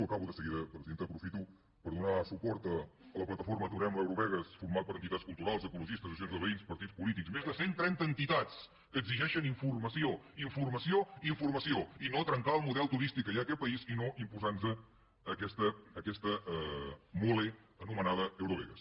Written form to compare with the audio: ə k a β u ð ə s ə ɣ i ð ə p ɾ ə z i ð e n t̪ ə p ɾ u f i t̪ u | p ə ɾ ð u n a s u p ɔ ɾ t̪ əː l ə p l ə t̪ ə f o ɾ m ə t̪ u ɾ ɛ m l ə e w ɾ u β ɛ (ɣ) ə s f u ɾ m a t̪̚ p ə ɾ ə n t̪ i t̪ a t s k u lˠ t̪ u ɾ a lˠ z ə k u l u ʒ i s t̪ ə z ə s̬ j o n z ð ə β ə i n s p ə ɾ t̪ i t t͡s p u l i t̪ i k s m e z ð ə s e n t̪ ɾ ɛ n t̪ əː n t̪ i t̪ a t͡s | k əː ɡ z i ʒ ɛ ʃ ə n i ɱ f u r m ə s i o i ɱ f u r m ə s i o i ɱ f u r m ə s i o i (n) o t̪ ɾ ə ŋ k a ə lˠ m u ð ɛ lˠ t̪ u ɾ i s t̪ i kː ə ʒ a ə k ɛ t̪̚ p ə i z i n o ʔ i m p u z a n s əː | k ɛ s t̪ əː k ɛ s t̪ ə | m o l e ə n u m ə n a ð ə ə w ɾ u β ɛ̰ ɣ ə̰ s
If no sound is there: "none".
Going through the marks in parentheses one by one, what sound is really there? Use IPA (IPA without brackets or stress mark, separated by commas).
ɣ, n